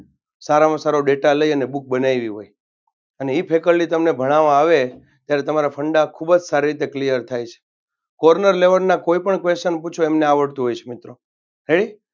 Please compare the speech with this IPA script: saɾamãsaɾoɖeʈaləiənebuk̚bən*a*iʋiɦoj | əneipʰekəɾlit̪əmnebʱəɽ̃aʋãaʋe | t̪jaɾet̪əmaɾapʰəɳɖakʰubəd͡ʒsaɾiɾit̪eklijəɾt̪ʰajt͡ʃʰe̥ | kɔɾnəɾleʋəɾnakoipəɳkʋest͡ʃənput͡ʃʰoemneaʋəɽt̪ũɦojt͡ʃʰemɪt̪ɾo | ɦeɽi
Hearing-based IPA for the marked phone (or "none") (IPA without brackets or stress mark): a